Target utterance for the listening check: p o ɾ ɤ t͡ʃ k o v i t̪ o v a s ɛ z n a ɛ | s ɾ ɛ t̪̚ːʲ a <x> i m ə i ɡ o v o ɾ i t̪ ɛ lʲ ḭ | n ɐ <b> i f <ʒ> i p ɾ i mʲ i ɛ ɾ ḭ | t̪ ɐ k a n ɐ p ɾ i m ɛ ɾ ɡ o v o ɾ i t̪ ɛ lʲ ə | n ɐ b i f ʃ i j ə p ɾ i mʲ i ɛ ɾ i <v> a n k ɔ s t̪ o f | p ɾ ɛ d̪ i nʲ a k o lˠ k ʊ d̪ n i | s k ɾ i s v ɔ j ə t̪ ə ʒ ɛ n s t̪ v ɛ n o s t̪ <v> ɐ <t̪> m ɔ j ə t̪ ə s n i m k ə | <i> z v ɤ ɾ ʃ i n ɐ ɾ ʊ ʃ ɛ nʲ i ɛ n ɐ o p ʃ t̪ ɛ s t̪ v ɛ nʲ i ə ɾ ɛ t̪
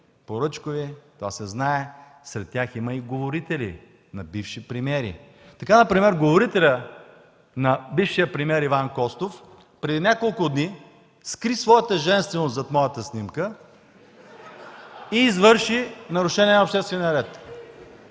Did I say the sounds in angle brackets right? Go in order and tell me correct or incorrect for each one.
correct, correct, incorrect, correct, incorrect, correct, incorrect

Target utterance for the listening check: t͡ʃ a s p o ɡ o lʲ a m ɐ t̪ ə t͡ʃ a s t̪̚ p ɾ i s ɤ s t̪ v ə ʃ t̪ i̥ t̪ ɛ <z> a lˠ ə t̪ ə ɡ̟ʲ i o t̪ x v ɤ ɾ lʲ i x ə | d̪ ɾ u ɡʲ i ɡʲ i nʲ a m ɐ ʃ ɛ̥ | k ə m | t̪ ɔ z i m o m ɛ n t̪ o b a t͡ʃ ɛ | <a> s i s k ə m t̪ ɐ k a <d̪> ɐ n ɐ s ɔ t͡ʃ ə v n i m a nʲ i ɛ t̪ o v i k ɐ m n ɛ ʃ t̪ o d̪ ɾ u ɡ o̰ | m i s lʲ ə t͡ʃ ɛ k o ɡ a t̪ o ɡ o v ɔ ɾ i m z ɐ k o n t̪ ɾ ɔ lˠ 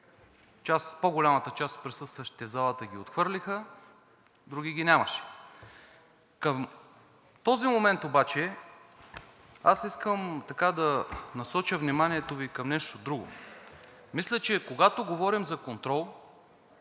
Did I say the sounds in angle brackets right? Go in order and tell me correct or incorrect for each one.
correct, correct, correct

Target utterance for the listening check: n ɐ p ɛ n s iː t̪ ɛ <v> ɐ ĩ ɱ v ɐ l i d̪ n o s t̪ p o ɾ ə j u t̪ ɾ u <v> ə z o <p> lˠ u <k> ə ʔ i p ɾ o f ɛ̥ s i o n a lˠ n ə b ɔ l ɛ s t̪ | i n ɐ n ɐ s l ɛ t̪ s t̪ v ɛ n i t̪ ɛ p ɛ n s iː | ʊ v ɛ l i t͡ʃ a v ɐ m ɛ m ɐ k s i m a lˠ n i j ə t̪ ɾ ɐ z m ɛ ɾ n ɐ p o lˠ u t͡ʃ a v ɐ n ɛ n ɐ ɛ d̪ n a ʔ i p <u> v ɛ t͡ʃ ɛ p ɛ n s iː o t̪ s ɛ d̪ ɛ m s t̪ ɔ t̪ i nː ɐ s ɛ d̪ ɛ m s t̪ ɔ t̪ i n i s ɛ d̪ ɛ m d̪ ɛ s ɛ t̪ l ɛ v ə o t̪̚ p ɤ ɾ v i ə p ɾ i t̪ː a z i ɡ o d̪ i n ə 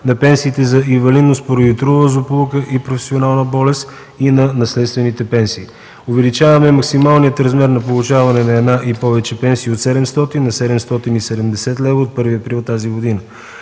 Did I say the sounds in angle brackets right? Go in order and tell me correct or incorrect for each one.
incorrect, correct, correct, correct, incorrect

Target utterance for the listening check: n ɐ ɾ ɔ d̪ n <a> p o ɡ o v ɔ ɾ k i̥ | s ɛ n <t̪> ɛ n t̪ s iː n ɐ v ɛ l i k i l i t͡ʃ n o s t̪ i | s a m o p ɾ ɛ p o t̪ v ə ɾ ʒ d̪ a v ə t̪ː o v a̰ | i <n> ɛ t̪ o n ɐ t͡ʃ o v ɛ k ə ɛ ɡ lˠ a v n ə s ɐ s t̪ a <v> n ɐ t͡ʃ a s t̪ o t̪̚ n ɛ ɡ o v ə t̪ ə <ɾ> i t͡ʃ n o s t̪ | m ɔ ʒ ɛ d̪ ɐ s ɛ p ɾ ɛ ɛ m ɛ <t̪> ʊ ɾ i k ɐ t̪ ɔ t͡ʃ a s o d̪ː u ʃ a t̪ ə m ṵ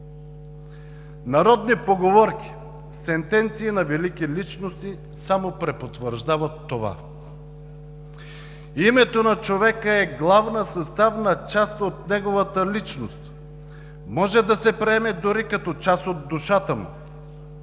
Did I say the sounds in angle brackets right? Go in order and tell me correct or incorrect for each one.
incorrect, correct, incorrect, correct, incorrect, incorrect

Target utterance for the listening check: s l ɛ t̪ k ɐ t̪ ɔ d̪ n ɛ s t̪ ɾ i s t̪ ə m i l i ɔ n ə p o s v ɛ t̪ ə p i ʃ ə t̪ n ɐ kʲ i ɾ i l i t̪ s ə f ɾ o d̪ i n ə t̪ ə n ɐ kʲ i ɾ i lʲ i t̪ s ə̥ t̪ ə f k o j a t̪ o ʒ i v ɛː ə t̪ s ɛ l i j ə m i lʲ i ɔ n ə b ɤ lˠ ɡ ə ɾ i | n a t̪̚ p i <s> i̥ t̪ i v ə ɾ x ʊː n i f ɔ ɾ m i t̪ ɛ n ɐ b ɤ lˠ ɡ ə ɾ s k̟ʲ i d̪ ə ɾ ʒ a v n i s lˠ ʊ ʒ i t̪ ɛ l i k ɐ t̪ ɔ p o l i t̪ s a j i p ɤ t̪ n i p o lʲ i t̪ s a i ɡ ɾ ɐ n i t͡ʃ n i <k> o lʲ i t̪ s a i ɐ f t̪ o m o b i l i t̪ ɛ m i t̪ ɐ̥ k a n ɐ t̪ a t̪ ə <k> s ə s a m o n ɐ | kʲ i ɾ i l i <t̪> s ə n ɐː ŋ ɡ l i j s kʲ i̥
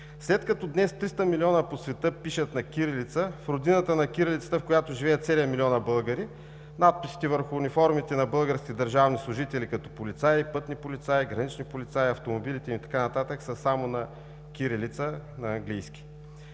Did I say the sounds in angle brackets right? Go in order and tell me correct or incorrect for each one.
correct, incorrect, correct, correct

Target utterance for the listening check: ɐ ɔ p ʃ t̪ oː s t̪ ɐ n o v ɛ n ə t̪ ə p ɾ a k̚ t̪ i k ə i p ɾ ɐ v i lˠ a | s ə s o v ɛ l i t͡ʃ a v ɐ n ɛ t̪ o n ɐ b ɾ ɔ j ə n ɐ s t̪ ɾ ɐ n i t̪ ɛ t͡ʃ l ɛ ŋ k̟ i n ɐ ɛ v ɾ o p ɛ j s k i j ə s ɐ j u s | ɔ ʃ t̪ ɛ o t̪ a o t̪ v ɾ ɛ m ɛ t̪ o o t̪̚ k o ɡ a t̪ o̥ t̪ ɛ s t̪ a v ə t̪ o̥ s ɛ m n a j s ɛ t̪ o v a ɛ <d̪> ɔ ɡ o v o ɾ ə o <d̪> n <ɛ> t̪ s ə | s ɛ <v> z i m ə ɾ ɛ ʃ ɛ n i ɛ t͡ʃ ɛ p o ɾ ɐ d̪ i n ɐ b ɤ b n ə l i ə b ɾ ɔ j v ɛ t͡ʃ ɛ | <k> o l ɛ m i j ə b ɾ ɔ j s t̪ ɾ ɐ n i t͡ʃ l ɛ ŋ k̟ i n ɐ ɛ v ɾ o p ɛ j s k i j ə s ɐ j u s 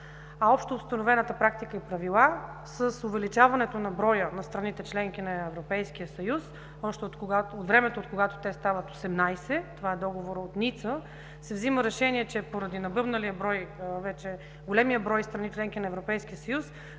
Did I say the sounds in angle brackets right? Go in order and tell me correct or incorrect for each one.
correct, incorrect, incorrect, correct, incorrect

